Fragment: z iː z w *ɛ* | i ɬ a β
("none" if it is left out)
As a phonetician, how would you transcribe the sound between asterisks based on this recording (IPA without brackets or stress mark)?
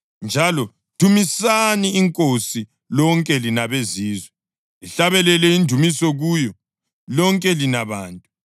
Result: ɛ